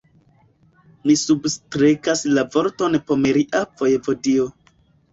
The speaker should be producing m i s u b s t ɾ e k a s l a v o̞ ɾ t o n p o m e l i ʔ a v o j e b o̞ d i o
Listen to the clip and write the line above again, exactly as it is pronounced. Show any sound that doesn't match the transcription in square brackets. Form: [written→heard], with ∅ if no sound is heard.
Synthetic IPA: m i s u b s t ɾ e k a s l a v o̞ ɾ t o n p o m e [l→ɾ] i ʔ a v o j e [b→v] o̞ d i o